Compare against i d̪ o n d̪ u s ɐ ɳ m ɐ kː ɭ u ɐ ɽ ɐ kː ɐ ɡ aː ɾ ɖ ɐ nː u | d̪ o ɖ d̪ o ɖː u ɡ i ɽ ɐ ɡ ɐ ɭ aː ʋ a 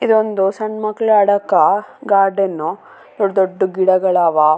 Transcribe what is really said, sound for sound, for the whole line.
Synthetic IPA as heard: i d̪ o n d̪ u s ɐ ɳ m ɐ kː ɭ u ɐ ɽ ɐ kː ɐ ɡ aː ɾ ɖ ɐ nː u | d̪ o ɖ d̪ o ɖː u ɡ i ɽ ɐ ɡ ɐ ɭ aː ʋ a

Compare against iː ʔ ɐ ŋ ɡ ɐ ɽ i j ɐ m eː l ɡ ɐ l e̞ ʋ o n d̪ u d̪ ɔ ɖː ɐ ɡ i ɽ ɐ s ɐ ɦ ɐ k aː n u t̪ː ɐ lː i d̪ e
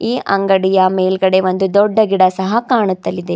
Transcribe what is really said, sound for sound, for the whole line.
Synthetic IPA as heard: iː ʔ ɐ ŋ ɡ ɐ ɽ i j ɐ m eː l ɡ ɐ ɽ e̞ ʋ o n d̪ u d̪ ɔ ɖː ɐ ɡ i ɽ ɐ s ɐ ɦ ɐ k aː ɳ u t̪ː ɐ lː i d̪ e

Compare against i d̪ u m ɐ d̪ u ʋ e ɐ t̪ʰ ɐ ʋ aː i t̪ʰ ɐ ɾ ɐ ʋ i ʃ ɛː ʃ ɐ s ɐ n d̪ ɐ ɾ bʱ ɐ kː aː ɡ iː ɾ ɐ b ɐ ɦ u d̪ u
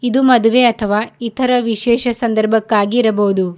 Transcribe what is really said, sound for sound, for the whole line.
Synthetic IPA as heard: i d̪ u m ɐ d̪ u ʋ e ɐ t̪ʰ ɐ ʋ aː i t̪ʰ ɐ ɾ ɐ ʋ i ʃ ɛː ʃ ɐ s ɐ n d̪ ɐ ɾ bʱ ɐ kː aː ɡ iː ɾ ɐ b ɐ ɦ u d̪ u

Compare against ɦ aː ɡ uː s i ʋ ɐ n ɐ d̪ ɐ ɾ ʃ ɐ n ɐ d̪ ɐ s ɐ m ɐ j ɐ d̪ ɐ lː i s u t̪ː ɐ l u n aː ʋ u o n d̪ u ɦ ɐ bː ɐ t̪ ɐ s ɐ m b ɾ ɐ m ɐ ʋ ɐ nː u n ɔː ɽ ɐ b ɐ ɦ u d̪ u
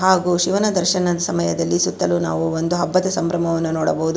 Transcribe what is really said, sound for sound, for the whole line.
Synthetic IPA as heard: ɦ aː ɡ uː ʃ i ʋ ɐ n ɐ d̪ ɐ ɾ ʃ ɐ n ɐ d̪ ɐ s ɐ m ɐ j ɐ d̪ ɐ lː i s u t̪ː ɐ l u n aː ʋ u o n d̪ u ɦ ɐ bː ɐ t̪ ɐ s ɐ m b ɾ ɐ m ɐ ʋ ɐ nː u n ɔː ɽ ɐ b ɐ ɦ u d̪ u

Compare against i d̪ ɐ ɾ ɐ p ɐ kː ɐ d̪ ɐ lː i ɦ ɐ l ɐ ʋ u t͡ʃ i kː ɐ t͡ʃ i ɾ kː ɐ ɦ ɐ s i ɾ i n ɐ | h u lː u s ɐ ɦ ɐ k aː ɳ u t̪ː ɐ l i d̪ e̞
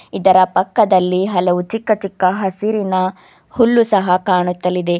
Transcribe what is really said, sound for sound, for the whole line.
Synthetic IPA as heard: i d̪ ɐ ɾ ɐ p ɐ kː ɐ d̪ ɐ lː i ɦ ɐ l ɐ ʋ u t͡ʃ i kː ɐ t͡ʃ i kː ɐ ɦ ɐ s i ɾ i n ɐ | h u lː u s ɐ ɦ ɐ k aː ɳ u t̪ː ɐ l i d̪ e̞

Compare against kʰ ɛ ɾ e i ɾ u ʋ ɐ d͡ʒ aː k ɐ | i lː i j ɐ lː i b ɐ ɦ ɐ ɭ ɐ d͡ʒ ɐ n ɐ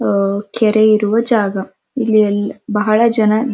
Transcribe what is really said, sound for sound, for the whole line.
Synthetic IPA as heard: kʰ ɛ ɾ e i ɾ u ʋ ɐ d͡ʒ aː ɡ ɐ | i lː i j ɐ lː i b ɐ ɦ ɐ ɭ ɐ d͡ʒ ɐ n ɐ

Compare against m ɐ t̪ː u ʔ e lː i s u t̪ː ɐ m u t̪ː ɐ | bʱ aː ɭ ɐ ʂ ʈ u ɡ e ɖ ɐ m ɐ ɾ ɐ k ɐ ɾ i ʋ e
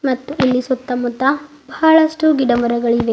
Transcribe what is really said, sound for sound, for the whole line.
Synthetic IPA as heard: m ɐ t̪ː u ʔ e lː i s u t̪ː ɐ m u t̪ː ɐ | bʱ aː ɭ ɐ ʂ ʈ u ɡ i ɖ ɐ m ɐ ɾ ɐ ɡ ɐ ɭ i ʋ e

